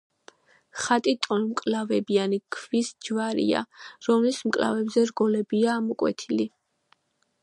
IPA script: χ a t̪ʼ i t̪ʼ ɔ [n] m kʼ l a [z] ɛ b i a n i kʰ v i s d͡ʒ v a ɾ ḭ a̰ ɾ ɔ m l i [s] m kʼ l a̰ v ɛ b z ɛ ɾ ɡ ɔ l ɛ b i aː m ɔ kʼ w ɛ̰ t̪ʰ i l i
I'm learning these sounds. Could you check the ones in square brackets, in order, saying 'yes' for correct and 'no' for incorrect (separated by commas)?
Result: yes, no, yes